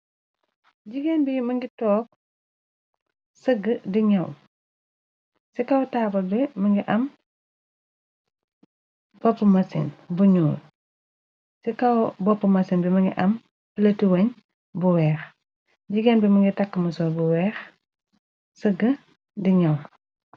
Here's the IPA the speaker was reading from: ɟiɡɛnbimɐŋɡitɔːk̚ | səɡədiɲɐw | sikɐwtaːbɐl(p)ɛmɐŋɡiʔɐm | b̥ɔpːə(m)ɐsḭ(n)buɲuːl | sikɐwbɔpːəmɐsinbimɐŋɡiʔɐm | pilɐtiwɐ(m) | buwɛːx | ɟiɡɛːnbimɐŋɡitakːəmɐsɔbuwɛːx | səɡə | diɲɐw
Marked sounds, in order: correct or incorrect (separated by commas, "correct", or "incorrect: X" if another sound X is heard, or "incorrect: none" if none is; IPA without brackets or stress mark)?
incorrect: b, correct, correct, incorrect: ɲ